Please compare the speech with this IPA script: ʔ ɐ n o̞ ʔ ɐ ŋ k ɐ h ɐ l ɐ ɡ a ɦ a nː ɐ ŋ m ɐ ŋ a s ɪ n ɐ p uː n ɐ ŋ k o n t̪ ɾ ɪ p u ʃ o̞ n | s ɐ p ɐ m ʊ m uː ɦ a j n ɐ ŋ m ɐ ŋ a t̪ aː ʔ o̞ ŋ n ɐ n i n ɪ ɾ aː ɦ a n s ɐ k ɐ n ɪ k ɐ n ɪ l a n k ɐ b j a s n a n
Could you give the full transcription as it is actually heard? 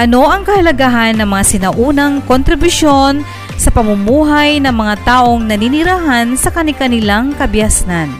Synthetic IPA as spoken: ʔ ɐ n o̞ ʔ ɐ ŋ k ɐ h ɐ l ɐ ɡ a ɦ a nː ɐ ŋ m ɐ ŋ a s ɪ n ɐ ʔ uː n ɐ ŋ k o n t̪ ɾ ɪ b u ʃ o̞ n | s ɐ p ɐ m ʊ m uː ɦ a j n ɐ ŋ m ɐ ŋ a t̪ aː ʔ o̞ ŋ n ɐ n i n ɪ ɾ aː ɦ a n s ɐ k ɐ n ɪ k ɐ n ɪ l a ŋ k ɐ b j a s n a n